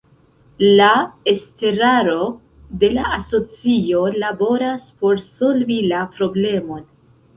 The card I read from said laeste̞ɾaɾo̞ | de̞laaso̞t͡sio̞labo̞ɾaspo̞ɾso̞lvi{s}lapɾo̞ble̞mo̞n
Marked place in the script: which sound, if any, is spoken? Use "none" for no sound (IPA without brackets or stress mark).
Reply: none